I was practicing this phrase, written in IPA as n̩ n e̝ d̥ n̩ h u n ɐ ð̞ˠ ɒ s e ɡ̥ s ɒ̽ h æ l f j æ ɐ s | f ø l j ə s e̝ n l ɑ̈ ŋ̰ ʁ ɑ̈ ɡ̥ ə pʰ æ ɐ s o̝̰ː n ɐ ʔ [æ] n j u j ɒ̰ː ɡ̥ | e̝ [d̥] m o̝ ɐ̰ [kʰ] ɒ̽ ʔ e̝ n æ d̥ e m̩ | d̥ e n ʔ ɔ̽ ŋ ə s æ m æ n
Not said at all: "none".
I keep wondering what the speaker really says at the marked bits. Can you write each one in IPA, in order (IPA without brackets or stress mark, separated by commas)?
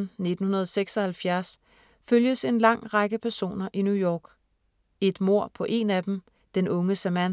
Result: i, d̥, pʰ